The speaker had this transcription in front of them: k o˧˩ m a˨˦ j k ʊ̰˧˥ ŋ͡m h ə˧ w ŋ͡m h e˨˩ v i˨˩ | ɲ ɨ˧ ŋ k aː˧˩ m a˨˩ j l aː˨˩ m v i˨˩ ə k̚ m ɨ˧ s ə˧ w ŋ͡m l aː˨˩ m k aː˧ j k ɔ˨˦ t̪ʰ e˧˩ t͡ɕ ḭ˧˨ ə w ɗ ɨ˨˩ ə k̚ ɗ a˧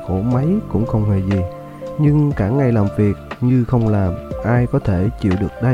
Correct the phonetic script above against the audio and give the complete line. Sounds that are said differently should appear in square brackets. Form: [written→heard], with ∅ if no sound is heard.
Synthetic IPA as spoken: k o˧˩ m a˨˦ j k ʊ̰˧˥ ŋ͡m [h→x] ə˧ w ŋ͡m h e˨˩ [v→z] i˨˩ | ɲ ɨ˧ ŋ k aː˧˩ [m→ŋ] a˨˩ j l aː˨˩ m v i˨˩ ə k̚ [m→ɲ] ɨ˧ [s→x] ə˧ w ŋ͡m l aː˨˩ m [k→ʔ] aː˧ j k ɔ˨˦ t̪ʰ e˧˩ t͡ɕ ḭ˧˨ ə w ɗ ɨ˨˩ ə k̚ ɗ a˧